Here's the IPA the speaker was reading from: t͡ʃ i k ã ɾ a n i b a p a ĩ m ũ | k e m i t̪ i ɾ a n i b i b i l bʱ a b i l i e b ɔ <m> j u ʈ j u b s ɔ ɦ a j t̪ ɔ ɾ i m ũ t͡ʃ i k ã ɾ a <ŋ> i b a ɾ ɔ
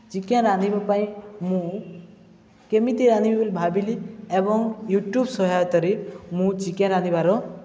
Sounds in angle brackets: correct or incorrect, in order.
incorrect, incorrect

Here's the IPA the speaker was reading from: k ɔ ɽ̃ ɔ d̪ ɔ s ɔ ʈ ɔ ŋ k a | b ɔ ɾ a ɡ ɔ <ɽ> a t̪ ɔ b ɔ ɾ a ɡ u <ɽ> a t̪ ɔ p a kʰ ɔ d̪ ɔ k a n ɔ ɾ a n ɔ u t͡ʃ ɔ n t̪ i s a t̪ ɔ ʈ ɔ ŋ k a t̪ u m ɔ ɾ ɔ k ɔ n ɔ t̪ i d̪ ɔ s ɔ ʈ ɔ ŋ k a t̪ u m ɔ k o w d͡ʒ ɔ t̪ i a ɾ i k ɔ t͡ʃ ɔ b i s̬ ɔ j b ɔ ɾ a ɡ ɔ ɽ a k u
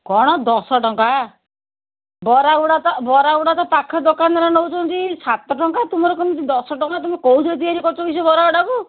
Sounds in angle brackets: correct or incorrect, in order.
correct, correct

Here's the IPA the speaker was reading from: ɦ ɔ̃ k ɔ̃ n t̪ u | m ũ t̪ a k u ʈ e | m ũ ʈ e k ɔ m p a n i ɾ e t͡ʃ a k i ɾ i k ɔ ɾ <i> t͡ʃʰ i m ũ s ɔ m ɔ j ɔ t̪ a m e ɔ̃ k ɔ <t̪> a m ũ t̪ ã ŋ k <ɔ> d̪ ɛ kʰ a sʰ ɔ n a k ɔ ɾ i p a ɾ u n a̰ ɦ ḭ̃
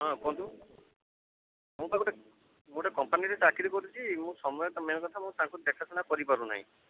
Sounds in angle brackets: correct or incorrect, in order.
correct, incorrect, incorrect

